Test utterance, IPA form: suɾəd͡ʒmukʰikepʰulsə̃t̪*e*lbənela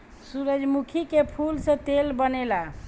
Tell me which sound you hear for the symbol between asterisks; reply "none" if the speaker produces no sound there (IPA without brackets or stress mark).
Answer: e